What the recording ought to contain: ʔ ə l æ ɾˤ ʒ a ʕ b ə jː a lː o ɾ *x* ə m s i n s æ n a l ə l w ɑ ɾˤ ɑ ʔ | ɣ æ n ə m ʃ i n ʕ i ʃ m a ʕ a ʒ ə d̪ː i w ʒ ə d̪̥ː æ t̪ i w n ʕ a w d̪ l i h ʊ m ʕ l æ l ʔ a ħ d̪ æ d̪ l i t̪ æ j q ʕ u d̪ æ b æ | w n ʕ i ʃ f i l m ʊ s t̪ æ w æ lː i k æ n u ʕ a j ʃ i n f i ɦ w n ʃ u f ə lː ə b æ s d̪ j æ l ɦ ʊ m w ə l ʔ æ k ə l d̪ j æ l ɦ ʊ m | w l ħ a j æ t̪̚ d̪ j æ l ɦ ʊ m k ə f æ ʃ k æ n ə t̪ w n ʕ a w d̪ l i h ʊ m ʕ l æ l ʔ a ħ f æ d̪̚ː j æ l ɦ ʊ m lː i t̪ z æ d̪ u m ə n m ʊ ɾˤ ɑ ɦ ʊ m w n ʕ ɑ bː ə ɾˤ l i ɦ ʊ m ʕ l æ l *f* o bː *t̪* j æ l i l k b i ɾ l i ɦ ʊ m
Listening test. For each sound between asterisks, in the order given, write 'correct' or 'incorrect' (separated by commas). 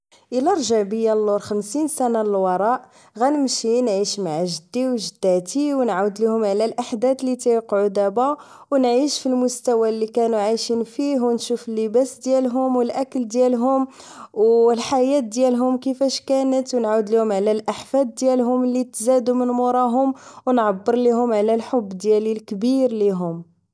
correct, incorrect, incorrect